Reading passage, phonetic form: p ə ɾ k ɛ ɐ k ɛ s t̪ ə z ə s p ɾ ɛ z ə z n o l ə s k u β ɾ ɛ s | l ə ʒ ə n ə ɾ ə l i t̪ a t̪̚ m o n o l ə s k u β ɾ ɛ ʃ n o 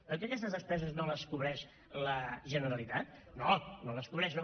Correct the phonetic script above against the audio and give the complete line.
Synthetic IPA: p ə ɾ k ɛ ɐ k ɛ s t̪ ə z ə s p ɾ ɛ z ə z n o l ə s k u β ɾ ɛ ʃ | l ə ʒ ə n ə ɾ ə l i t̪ a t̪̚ n o n o l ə s k u β ɾ ɛ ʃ n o